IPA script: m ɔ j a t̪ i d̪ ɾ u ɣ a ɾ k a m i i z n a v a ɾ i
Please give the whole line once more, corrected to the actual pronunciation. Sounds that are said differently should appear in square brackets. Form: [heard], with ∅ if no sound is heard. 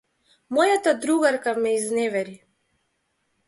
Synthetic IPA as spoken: m ɔ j a t̪ [a] d̪ ɾ u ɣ a ɾ k a m [ɛ] i z n [ɛ] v [ɛ] ɾ i